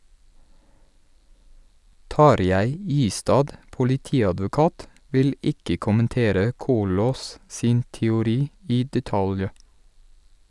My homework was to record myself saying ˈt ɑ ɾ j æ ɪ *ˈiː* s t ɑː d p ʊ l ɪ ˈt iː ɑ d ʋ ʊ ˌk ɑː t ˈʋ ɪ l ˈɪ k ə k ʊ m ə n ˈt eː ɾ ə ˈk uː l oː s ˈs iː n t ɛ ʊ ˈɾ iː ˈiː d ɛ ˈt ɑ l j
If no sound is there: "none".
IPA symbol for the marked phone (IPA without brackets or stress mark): iː